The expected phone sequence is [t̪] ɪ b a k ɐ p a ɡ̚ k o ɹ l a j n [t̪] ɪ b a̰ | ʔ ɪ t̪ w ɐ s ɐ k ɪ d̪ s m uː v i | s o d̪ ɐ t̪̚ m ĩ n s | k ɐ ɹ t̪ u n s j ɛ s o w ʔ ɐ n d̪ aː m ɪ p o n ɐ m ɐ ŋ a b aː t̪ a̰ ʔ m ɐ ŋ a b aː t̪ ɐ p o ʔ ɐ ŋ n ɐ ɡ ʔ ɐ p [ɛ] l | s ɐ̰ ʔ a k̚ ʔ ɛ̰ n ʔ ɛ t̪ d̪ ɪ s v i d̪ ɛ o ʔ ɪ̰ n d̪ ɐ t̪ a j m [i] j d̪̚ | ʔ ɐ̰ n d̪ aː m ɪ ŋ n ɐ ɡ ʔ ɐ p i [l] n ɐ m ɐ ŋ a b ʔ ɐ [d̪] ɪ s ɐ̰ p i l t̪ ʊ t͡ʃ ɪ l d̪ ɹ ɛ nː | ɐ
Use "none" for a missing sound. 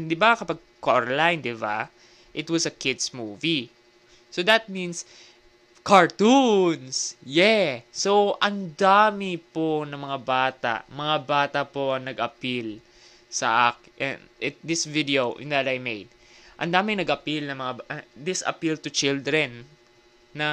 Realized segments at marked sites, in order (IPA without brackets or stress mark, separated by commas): d̪, d̪, i, e, l, d̪